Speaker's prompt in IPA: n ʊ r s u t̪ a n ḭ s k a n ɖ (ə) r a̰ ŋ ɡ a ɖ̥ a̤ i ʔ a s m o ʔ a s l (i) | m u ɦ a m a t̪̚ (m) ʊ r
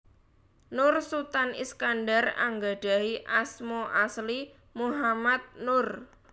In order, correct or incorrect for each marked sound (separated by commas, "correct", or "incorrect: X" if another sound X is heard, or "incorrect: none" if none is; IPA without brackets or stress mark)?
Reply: incorrect: a, correct, incorrect: n